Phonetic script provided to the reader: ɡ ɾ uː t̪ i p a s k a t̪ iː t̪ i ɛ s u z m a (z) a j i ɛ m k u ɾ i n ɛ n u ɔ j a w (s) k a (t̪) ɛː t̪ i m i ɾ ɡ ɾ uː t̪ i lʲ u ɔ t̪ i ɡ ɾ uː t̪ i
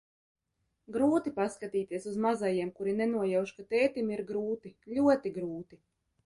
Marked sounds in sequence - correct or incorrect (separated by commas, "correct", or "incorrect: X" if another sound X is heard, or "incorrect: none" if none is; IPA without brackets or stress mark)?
correct, incorrect: ʃ, correct